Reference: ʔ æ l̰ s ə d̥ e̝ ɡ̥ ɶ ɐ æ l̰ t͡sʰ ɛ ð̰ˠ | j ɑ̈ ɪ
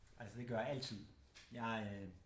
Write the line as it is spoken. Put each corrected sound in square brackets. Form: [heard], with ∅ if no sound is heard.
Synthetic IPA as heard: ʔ æ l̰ s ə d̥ e̝ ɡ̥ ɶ ɐ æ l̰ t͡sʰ [i] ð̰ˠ | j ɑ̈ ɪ